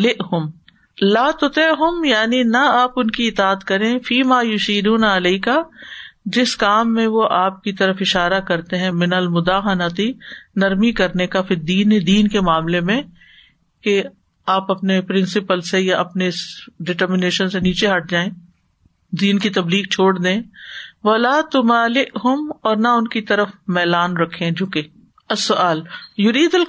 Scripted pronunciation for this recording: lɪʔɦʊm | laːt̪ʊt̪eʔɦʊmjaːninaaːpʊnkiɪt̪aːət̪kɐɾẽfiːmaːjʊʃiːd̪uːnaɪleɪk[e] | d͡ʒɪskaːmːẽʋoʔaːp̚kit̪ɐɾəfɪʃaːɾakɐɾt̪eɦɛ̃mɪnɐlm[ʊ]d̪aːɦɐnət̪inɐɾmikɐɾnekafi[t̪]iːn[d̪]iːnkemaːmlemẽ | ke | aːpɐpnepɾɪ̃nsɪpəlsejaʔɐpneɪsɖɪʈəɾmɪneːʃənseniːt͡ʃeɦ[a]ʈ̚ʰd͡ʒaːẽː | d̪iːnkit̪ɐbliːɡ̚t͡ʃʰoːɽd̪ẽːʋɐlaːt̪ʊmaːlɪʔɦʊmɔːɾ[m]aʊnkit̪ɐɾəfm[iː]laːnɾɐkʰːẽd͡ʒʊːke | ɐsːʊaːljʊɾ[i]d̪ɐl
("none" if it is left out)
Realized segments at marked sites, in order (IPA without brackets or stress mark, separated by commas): a, ʊ, d̪, d̪, ɐ, n, ɛː, iː